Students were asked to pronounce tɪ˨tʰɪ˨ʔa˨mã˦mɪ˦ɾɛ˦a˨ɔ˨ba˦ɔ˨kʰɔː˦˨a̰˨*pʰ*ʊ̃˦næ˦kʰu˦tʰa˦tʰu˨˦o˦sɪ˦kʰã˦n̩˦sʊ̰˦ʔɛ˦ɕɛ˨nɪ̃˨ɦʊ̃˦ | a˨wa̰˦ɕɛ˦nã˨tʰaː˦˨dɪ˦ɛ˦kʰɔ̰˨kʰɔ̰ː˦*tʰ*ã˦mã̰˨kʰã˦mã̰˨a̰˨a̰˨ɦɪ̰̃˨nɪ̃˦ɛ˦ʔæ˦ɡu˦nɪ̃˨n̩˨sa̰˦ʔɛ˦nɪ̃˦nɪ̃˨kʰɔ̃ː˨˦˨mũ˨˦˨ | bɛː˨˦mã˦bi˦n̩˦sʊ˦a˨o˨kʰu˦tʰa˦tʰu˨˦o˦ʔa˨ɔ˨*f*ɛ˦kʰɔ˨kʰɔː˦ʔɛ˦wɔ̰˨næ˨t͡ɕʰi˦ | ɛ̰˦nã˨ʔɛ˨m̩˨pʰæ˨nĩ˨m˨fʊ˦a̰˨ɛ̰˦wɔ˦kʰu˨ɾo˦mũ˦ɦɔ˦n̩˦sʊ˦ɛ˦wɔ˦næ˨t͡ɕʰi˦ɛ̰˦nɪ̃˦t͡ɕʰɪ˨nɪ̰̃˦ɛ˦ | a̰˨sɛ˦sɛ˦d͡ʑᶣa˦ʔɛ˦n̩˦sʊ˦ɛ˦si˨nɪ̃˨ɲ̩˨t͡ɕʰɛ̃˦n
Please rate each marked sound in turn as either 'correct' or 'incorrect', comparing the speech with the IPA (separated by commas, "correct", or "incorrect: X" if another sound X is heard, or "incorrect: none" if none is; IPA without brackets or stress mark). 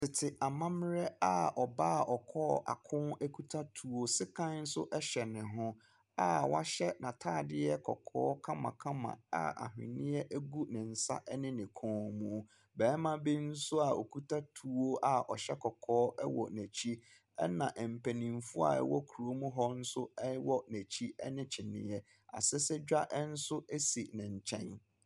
incorrect: kʰ, incorrect: kʰ, incorrect: ɕ